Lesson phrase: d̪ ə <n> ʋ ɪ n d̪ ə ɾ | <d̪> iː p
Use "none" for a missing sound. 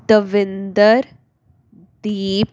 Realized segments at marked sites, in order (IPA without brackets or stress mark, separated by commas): none, d̪